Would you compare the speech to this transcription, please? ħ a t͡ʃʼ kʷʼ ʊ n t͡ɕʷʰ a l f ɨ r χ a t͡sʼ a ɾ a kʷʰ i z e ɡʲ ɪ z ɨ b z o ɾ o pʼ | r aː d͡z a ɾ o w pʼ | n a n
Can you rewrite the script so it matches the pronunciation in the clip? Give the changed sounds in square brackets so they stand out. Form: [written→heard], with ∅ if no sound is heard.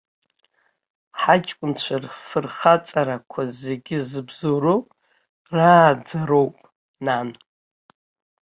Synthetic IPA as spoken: ħ a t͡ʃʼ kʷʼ ʊ n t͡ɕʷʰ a [l→r] f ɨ r χ a t͡sʼ a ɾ a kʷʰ [i→a] z e ɡʲ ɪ z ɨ b z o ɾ o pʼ | r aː d͡z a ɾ o w pʼ | n a n